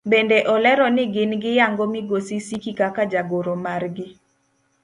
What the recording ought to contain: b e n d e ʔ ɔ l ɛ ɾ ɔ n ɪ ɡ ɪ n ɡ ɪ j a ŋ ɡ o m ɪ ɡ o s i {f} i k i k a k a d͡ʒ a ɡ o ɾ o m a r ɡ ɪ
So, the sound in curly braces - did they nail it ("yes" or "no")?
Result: no